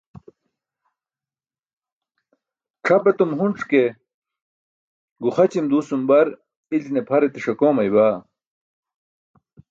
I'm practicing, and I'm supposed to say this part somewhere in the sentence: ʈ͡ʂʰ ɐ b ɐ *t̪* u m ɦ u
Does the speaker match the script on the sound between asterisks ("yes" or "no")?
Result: yes